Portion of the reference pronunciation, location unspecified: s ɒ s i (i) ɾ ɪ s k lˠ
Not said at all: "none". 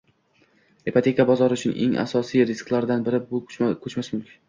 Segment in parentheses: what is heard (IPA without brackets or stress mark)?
j